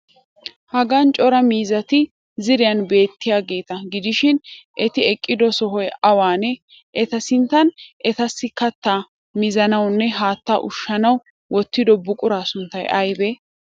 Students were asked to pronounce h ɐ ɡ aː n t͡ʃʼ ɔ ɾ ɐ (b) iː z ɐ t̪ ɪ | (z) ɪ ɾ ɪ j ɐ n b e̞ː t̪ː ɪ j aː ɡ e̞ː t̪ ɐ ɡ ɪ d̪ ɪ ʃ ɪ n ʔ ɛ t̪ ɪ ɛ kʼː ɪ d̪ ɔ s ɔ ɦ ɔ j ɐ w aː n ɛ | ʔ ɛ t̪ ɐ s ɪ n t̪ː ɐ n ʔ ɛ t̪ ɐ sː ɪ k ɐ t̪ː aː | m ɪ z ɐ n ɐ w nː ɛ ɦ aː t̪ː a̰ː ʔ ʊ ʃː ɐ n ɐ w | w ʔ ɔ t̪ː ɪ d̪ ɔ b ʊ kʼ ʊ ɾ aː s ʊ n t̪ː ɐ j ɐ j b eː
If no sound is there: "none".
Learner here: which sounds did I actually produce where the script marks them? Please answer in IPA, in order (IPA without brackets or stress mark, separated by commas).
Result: m, z